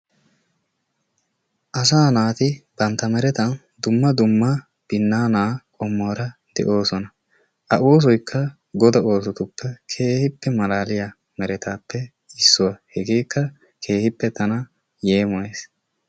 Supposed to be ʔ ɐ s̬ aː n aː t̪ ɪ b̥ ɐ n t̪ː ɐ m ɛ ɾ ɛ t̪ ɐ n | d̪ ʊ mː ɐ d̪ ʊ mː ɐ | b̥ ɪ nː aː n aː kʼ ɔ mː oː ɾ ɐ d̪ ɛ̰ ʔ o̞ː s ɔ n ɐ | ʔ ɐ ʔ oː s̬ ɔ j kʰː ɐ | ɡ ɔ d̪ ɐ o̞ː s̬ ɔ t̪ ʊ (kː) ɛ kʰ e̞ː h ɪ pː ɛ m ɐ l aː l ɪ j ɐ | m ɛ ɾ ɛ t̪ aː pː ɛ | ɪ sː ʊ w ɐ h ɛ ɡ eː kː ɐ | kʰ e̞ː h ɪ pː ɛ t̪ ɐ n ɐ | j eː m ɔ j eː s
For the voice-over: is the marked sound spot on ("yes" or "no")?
no